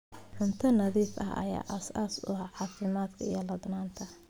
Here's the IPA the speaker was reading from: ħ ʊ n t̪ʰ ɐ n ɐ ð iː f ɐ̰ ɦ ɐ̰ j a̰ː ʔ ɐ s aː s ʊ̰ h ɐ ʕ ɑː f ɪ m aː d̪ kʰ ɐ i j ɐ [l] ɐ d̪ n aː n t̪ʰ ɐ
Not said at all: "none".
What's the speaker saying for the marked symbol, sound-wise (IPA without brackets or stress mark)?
l